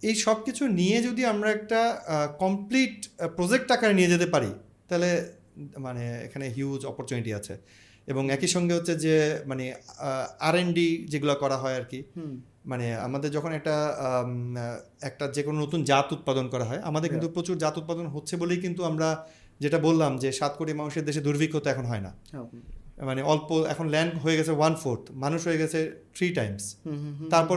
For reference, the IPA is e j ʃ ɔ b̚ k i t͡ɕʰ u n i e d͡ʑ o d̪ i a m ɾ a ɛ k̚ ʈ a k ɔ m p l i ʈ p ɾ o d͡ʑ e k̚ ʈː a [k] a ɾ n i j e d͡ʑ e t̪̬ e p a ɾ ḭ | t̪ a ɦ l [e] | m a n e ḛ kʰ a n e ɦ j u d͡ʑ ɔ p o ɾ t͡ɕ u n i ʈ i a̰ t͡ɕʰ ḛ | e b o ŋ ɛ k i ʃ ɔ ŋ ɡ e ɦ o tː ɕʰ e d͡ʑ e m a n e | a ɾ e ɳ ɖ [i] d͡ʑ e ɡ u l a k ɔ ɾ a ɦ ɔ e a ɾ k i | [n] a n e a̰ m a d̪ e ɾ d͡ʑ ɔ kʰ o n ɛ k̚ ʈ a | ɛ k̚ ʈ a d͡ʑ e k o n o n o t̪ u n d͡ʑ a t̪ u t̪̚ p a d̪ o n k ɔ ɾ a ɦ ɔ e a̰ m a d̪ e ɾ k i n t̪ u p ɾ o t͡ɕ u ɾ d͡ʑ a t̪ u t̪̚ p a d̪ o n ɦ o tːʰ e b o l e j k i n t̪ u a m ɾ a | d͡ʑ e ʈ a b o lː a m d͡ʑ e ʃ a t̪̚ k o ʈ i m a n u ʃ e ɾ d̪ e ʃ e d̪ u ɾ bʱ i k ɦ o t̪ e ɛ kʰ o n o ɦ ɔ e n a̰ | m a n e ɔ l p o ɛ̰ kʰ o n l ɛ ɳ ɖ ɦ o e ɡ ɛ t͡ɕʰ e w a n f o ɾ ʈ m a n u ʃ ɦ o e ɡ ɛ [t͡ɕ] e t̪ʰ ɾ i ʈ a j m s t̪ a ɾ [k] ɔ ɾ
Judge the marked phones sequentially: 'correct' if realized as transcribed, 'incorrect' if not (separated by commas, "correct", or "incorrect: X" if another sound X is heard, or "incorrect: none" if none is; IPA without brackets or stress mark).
correct, correct, correct, incorrect: m, incorrect: t͡ɕʰ, incorrect: p